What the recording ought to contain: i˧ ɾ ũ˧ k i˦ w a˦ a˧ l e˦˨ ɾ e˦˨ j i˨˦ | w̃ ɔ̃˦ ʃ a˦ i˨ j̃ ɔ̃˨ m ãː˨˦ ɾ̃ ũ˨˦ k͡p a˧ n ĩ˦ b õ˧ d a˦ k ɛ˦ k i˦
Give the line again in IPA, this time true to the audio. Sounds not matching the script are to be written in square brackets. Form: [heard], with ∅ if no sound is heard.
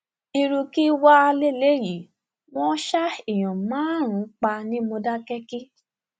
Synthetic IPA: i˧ ɾ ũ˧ k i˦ w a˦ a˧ l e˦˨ [l] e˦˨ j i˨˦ | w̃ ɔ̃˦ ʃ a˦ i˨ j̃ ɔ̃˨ m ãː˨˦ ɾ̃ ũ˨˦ k͡p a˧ n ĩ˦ [m] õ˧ d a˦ k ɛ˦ k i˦